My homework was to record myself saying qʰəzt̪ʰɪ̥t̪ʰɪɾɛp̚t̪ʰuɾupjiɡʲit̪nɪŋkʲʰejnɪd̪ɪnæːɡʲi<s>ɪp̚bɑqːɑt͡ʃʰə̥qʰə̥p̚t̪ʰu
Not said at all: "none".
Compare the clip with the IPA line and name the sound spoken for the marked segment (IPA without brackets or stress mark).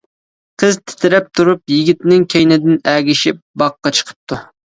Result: ʃ